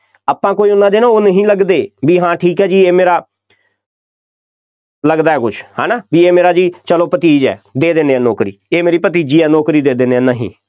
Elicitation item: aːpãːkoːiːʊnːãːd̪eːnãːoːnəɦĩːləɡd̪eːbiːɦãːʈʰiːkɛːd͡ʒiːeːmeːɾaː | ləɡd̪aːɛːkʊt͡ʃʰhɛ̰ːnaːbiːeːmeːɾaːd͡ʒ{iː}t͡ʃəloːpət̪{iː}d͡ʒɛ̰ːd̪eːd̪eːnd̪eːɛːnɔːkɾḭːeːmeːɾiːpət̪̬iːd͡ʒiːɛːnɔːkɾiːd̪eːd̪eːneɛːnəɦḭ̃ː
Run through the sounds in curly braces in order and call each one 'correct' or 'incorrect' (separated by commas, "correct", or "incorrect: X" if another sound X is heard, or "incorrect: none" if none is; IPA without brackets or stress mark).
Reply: correct, correct